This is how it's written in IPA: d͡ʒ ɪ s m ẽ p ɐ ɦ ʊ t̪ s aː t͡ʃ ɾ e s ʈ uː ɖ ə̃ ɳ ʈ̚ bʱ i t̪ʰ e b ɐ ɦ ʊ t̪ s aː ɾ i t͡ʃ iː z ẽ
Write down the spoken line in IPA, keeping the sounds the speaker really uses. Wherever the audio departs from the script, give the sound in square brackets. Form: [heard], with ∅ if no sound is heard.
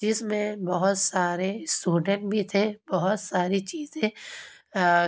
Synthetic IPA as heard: d͡ʒ ɪ s m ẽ [b] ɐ ɦ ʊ t̪ s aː [∅] ɾ e s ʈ uː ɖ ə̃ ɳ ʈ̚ bʱ i t̪ʰ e b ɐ ɦ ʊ t̪ s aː ɾ i t͡ʃ iː z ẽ

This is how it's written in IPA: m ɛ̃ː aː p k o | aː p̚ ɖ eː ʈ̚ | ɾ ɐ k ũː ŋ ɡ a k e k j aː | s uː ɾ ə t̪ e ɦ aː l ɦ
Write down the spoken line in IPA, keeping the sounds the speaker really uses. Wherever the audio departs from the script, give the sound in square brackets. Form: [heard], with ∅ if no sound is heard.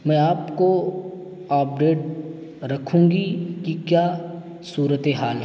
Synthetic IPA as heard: m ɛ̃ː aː p k o | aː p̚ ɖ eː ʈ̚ | ɾ ɐ [kʰ] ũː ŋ ɡ [i] k [i] k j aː | s uː ɾ ə t̪ e ɦ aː l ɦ

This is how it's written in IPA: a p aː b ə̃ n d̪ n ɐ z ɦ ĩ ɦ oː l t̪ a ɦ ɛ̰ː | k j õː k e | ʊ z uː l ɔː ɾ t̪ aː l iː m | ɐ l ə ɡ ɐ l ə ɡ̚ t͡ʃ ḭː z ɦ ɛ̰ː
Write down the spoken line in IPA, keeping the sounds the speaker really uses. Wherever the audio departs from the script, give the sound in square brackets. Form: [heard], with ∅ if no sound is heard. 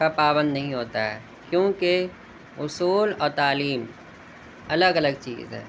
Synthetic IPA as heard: a p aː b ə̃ n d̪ n ɐ [∅] ɦ ĩ ɦ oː [∅] t̪ a ɦ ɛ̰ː | k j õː k e | ʊ [s] uː l ɔː ɾ t̪ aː l iː m | ɐ l ə ɡ ɐ l ə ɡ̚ t͡ʃ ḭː z ɦ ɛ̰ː

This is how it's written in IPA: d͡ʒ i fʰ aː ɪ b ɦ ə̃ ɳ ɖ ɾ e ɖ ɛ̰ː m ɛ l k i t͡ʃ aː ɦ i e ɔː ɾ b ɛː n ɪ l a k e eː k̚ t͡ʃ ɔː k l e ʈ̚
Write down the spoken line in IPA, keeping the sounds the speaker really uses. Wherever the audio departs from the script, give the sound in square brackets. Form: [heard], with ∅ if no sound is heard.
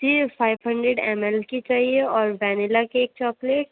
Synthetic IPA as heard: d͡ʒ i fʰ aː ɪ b ɦ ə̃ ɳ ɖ ɾ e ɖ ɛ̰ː m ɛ l k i t͡ʃ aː ɦ i e ɔː ɾ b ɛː n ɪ l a k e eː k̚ t͡ʃ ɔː k l e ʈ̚

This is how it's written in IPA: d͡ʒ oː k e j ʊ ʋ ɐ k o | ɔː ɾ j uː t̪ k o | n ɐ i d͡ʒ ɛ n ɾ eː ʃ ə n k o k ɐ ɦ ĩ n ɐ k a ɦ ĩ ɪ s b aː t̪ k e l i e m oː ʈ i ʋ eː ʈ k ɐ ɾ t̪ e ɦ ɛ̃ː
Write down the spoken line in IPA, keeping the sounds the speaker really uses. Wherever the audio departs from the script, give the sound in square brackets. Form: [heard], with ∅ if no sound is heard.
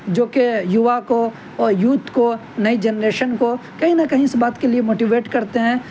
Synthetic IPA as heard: d͡ʒ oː k e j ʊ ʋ [a] k o | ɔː ɾ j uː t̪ k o | n ɐ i d͡ʒ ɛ n ɾ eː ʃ ə n k o k ɐ ɦ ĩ n ɐ k [ɐ] ɦ ĩ ɪ s b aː t̪ k e l i e m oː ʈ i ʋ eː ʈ k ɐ ɾ t̪ e ɦ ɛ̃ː

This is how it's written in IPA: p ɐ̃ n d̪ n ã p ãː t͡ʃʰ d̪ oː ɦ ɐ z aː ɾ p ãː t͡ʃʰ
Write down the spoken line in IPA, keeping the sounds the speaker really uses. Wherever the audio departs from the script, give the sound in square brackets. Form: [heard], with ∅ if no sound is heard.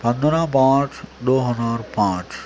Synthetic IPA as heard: p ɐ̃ n d̪ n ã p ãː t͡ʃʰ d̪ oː ɦ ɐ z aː ɾ p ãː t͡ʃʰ

